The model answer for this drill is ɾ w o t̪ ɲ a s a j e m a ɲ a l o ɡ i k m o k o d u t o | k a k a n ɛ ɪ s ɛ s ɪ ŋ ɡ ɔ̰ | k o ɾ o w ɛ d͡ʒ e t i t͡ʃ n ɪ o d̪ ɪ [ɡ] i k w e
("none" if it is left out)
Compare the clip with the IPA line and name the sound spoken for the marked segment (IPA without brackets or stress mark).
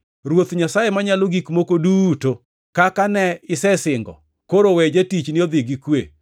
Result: ɡ